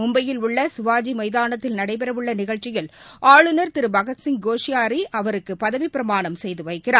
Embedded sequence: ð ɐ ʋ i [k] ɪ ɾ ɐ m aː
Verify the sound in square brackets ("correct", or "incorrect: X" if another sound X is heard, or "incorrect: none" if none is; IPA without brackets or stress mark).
incorrect: p